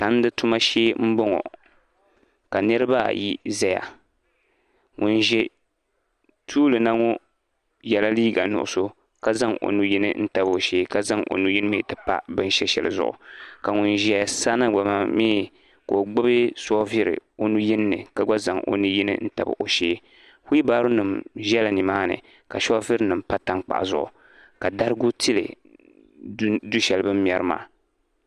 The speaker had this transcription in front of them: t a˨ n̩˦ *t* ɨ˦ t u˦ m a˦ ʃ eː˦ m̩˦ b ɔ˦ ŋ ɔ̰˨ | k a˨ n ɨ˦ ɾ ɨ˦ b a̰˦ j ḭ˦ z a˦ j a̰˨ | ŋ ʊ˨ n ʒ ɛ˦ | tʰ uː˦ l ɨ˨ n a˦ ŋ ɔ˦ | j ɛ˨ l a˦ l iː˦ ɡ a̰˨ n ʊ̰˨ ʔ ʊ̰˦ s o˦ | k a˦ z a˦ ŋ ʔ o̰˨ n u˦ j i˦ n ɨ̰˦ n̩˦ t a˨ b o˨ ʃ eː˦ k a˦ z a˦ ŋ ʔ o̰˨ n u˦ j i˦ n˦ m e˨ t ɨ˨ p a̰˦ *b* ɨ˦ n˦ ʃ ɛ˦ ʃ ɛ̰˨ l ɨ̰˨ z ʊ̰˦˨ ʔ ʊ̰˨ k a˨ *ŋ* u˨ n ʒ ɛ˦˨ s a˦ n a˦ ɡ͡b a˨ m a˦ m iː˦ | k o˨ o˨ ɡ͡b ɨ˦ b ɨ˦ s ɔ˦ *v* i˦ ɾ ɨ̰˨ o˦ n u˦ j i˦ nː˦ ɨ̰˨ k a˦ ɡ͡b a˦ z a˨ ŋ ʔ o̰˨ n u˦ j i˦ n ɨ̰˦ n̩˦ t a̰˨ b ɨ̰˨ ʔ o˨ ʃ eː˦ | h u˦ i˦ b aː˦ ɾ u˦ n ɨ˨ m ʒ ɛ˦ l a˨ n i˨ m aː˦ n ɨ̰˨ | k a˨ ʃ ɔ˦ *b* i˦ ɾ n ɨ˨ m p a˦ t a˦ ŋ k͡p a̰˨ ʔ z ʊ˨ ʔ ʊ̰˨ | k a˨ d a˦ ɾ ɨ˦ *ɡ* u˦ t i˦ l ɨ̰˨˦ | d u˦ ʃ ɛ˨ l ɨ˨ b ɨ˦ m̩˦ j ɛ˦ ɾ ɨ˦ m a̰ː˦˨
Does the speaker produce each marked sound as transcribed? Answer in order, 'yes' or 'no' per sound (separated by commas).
no, yes, yes, yes, no, yes